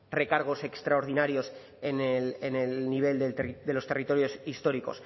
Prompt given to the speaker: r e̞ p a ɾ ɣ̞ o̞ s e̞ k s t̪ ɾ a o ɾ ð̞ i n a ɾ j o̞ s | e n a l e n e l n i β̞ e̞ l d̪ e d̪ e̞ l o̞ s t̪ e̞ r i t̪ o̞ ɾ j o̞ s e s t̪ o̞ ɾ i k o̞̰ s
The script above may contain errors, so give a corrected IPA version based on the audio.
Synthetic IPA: r e̞ k a ɾ ɣ̞ o̞ s e̞ k s t̪ ɾ a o ɾ ð̞ i n a ɾ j o̞ s | e n e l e n e l n i β̞ e̞ l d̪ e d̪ e̞ l o̞ s t̪ e̞ r i t̪ o̞ ɾ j o̞ s i s t̪ o̞ ɾ i k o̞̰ s